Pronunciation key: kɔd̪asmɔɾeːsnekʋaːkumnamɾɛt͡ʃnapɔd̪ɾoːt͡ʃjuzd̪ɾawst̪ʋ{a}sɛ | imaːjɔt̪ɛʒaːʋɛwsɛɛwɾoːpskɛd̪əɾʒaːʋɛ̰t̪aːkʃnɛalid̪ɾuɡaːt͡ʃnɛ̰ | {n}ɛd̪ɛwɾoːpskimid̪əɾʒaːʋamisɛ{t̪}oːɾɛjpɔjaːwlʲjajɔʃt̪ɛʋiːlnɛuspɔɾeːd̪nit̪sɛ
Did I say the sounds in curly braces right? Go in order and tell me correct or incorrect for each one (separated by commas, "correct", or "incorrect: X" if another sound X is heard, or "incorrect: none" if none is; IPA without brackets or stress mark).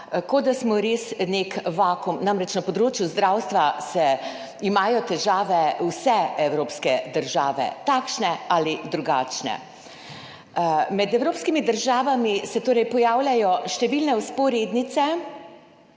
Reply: correct, incorrect: m, correct